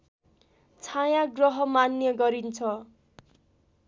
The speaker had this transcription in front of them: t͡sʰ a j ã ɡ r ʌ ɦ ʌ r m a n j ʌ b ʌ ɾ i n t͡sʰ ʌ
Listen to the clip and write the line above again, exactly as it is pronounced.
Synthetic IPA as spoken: t͡sʰ a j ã ɡ r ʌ ɦ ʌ m a n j ʌ ɡ ʌ ɾ i n t͡sʰ ʌ